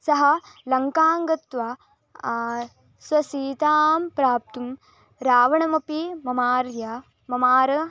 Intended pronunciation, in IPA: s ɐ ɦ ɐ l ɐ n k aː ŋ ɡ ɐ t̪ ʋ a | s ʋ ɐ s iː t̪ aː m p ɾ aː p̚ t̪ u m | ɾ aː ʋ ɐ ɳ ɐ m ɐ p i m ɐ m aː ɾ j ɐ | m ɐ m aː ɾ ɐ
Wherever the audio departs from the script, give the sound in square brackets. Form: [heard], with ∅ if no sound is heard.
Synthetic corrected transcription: s ɐ ɦ ɐ l ɐ [ŋ] k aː ŋ ɡ ɐ t̪ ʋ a | s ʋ ɐ s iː t̪ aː m p ɾ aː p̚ t̪ u m | ɾ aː ʋ ɐ ɳ ɐ m ɐ p i m ɐ m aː ɾ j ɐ | m ɐ m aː ɾ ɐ